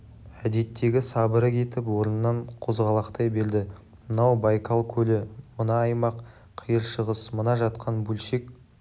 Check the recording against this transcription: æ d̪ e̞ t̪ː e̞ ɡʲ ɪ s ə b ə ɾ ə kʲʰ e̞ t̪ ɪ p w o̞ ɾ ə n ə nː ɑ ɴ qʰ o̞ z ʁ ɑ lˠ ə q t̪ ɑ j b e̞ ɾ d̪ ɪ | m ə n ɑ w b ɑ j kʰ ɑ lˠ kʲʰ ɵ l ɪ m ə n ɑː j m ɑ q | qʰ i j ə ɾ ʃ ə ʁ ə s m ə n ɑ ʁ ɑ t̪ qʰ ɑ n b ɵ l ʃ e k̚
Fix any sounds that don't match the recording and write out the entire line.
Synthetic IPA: æ d̪ e̞ t̪ː e̞ ɡʲ ɪ s ɑ b ə ɾ ə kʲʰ e̞ t̪ ɪ p w o̞ ɾ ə n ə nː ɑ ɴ qʰ o̞ z ʁ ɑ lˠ ɑ q t̪ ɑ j b e̞ ɾ d̪ ɪ | m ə n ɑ w b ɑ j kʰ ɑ lˠ kʲʰ ɵ l ɪ m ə n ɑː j m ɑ q | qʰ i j ə ɾ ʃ ə ʁ ə s m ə n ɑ ʒ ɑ t̪ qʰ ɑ n b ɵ l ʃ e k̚